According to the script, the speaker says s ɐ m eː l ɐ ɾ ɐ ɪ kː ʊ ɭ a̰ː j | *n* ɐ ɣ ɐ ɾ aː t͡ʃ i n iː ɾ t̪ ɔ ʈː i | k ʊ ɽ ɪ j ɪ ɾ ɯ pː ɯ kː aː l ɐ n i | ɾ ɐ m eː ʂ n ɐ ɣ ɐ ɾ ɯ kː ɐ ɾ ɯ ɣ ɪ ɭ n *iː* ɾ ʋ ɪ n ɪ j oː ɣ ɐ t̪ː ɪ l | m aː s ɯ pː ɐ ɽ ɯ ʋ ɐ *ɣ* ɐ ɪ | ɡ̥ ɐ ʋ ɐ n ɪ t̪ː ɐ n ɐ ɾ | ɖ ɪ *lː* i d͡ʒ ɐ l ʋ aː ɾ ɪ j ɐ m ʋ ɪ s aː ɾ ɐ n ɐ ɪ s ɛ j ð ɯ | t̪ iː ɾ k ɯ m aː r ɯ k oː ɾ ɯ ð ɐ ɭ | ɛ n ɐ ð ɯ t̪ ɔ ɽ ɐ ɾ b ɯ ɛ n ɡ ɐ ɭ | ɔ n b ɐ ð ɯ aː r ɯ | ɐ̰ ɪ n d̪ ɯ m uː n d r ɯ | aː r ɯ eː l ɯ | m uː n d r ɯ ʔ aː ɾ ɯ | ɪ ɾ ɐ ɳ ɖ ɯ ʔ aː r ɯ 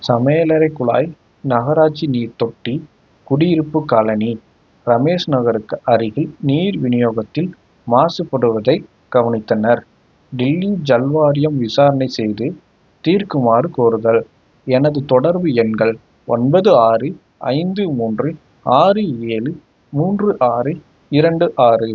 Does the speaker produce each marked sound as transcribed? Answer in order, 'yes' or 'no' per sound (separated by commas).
yes, yes, no, yes